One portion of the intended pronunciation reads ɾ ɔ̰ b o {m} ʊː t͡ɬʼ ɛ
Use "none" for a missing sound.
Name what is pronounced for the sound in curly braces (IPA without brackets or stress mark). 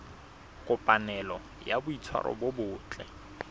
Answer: b